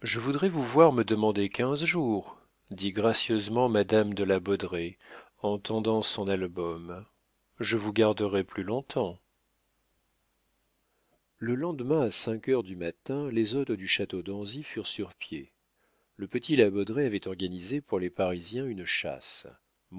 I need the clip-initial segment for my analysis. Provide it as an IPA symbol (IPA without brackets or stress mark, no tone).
ʒ